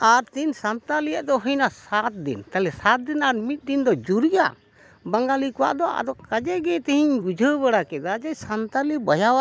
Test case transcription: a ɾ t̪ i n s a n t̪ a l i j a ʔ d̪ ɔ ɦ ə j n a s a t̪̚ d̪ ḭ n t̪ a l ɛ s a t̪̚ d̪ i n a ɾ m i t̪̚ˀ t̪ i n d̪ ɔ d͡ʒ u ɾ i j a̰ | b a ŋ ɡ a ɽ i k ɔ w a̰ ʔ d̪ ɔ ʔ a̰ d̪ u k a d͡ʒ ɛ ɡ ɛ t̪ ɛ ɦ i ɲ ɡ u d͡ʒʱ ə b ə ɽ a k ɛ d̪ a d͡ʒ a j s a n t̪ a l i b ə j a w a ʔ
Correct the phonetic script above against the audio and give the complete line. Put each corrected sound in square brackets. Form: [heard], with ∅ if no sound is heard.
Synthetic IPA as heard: a ɾ t̪ i n s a n t̪ a l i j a ʔ d̪ ɔ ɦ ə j n a s a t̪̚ d̪ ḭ n t̪ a l ɛ s a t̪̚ d̪ i n a ɾ m i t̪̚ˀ [d̪] i n d̪ ɔ d͡ʒ u ɾ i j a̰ | b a ŋ ɡ a [l] i k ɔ w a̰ ʔ d̪ ɔ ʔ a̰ d̪ [ɔ] k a d͡ʒ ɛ ɡ ɛ t̪ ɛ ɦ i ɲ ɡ u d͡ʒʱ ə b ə ɽ a k ɛ d̪ a d͡ʒ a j s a n t̪ a l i b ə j a w a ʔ

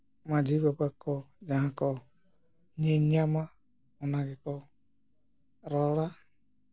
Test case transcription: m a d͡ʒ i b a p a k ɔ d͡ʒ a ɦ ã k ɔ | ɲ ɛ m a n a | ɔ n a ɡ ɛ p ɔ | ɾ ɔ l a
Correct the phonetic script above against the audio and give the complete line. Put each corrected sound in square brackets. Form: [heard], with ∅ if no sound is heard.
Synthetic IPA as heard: m a d͡ʒ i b a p a k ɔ d͡ʒ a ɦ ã k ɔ | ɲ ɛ [ɲ] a [m] a | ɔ n a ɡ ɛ [k] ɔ | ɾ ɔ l a

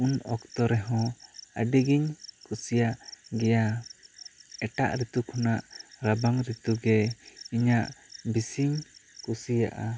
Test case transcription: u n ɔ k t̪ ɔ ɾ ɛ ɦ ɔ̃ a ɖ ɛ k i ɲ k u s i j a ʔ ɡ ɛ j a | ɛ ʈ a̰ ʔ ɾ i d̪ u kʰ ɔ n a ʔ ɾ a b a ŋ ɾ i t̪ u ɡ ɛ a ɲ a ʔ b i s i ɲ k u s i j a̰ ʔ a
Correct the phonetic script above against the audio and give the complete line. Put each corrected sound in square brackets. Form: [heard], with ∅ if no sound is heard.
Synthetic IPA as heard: u n ɔ k t̪ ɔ ɾ ɛ ɦ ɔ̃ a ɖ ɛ [ɡ] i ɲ k u s i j a ʔ ɡ ɛ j a | ɛ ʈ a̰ ʔ ɾ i [t̪] u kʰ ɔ n a ʔ ɾ a b a ŋ ɾ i t̪ u ɡ ɛ [i] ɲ a ʔ b i s i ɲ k u s i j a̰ ʔ a

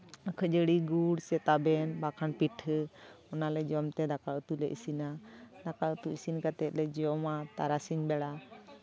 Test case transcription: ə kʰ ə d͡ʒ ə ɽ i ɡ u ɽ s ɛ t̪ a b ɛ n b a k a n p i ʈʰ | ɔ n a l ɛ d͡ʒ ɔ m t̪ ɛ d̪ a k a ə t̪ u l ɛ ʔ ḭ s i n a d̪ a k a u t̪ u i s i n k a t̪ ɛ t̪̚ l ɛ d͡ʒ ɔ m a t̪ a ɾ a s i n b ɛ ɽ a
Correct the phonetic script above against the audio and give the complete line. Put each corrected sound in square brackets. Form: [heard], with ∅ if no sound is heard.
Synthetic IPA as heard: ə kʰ ə d͡ʒ ə ɽ i ɡ u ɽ s ɛ t̪ a b ɛ n b a [kʰ] a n p i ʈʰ | ɔ n a l ɛ d͡ʒ ɔ m t̪ ɛ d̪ a k a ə t̪ u l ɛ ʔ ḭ s i n a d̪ a k a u t̪ u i s i n k a t̪ ɛ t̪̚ l ɛ d͡ʒ ɔ m a t̪ a ɾ a s i [ɲ] b ɛ ɽ a

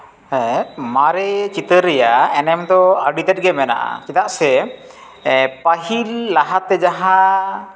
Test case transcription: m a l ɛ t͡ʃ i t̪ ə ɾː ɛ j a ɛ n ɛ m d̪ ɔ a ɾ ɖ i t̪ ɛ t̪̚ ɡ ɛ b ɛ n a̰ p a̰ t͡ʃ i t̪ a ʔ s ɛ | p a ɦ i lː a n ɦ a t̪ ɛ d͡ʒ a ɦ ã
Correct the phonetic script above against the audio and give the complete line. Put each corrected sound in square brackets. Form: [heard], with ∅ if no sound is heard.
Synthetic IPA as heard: m a [ɾ] ɛ t͡ʃ i t̪ ə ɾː ɛ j a ɛ n ɛ m d̪ ɔ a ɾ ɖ i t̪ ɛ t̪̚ ɡ ɛ [m] ɛ n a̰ [ʔ] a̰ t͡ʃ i t̪ a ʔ s ɛ | p a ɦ i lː a [∅] ɦ a t̪ ɛ d͡ʒ a ɦ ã

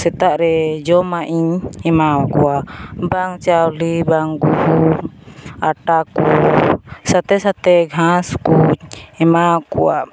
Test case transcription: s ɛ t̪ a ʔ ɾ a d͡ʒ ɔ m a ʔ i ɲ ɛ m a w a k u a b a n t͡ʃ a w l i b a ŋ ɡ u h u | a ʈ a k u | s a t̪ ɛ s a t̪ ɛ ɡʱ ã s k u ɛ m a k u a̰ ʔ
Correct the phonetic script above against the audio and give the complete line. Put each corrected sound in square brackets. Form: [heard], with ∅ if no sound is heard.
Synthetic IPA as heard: s ɛ t̪ a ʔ ɾ [ɛ] d͡ʒ ɔ m a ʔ i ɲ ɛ m a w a k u a b a [ŋ] t͡ʃ a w l i b a ŋ ɡ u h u | a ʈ a k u | s a t̪ ɛ s a t̪ ɛ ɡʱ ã s k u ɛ m a k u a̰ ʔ

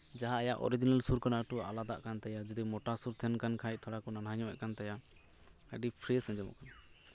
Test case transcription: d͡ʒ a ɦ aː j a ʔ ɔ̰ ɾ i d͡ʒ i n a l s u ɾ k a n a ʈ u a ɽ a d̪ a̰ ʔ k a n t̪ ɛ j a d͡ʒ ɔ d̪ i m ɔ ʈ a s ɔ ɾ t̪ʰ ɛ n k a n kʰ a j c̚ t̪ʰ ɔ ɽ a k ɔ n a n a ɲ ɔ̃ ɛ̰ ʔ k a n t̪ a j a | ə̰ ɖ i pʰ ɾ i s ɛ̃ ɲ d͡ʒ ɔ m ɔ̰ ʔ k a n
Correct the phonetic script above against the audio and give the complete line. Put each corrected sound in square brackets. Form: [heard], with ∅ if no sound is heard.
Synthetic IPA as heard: d͡ʒ a ɦ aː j a ʔ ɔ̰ ɾ i d͡ʒ i n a l s u ɾ k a n a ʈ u a [l] a d̪ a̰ ʔ k a n t̪ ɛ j a d͡ʒ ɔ d̪ i m ɔ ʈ a s [u] ɾ t̪ʰ ɛ n k a n kʰ a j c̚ t̪ʰ ɔ ɽ a k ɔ n a n a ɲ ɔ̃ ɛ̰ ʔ k a n t̪ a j a | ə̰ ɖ i pʰ ɾ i s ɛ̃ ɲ d͡ʒ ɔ m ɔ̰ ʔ k a n

